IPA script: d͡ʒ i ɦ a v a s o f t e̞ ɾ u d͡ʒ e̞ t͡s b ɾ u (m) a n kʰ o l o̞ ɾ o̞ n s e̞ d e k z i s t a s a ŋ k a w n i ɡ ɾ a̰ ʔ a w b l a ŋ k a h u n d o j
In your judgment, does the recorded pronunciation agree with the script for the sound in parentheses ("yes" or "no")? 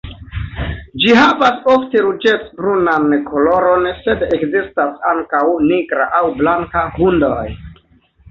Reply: no